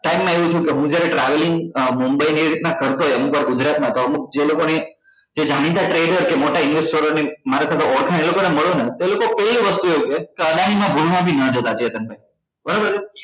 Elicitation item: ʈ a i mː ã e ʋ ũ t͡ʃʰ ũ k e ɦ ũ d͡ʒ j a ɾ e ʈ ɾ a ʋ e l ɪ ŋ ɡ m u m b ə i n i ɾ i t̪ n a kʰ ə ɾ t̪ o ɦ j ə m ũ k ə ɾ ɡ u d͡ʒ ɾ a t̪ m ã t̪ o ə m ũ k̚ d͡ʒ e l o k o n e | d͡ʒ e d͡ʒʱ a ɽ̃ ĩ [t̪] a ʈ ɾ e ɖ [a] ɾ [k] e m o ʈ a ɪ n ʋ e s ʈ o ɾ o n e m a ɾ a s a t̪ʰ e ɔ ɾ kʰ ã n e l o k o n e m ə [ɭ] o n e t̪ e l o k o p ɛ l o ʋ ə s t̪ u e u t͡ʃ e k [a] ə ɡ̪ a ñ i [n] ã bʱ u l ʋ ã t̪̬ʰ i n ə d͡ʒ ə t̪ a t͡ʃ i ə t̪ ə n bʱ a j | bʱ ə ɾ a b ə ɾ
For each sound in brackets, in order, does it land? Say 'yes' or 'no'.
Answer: yes, no, yes, yes, no, no

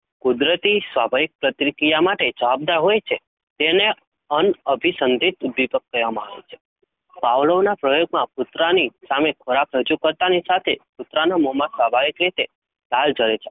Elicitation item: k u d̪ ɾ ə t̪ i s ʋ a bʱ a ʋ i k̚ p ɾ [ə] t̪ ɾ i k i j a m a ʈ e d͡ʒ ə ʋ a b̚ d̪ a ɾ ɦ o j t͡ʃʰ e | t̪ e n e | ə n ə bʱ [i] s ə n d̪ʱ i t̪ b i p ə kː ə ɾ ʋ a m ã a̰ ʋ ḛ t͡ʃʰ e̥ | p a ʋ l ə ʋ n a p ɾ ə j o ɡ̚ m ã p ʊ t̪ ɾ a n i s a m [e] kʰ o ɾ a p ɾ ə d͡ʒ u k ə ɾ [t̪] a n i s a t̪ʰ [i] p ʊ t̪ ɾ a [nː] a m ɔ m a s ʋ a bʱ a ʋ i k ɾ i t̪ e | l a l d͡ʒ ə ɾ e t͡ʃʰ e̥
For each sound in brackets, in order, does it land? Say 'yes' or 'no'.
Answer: yes, yes, yes, yes, no, no

